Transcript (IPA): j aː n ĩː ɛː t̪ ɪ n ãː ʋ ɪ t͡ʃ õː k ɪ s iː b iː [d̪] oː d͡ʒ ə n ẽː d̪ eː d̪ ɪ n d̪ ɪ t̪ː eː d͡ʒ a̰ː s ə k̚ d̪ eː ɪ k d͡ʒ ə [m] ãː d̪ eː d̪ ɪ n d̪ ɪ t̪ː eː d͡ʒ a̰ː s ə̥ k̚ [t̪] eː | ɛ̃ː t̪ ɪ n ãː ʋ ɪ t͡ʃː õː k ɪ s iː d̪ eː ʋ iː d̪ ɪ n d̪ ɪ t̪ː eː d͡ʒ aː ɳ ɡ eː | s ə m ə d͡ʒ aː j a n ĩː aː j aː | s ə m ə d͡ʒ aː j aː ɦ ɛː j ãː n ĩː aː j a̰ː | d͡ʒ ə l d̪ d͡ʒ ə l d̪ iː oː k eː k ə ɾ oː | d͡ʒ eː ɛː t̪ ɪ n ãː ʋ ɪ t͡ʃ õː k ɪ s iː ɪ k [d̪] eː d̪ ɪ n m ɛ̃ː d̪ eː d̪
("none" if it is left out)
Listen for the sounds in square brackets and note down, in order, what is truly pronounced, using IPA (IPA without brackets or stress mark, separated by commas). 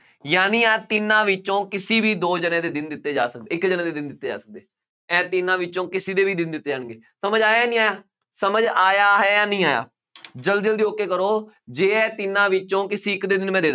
d̪, n, d̪, d̪